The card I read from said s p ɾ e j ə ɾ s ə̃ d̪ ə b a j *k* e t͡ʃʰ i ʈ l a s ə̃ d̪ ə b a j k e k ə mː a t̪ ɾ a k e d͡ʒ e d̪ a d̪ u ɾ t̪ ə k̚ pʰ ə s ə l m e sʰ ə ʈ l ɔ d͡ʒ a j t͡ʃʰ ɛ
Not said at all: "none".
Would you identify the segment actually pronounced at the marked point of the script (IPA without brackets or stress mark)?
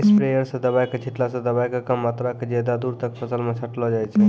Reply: k